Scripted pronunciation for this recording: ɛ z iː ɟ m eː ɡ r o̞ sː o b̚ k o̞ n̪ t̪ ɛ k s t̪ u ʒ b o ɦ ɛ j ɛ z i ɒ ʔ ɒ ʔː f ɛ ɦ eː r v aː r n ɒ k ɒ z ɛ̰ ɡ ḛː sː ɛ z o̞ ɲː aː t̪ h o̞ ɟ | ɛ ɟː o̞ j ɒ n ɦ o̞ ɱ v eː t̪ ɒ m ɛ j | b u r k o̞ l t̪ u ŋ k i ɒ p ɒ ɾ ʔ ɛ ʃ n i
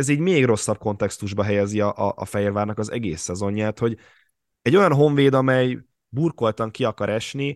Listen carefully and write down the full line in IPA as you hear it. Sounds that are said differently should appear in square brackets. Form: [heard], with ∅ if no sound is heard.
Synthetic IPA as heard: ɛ z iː ɟ m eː ɡ r o̞ sː [ɒ] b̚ k o̞ n̪ t̪ ɛ k s t̪ u ʒ b [ɒ] ɦ ɛ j ɛ z i ɒ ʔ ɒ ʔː f ɛ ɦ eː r v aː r n ɒ k ɒ z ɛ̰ ɡ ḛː sː ɛ z o̞ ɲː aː t̪ h o̞ ɟ | ɛ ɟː o̞ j ɒ n ɦ o̞ ɱ v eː [d̪] ɒ m ɛ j | b u r k o̞ l t̪ [ɒ] ŋ k i ɒ [k] ɒ ɾ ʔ ɛ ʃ n i